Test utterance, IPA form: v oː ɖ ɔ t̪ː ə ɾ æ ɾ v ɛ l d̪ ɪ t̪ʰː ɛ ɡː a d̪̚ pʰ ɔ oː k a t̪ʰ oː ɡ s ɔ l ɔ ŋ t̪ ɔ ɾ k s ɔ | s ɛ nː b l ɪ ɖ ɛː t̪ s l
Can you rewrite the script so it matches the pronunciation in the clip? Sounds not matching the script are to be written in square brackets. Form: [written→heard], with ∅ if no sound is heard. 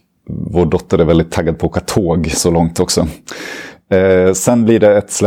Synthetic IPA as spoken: v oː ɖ ɔ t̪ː ə ɾ æ ɾ v ɛ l d̪ ɪ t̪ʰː [ɛ→a] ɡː a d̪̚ pʰ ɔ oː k a t̪ʰ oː ɡ s ɔ l ɔ ŋ t̪ ɔ [ɾ→∅] k s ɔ | s ɛ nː b l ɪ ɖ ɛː t̪ s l